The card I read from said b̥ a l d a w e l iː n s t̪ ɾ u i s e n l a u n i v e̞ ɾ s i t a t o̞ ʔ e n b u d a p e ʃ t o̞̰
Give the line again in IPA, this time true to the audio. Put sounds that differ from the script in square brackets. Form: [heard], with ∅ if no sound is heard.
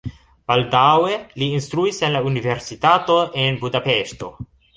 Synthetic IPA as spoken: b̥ a l d a w e l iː n s t̪ ɾ u i s e n l a u n i v e̞ ɾ s i t a t o̞ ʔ e n b u d a p e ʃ t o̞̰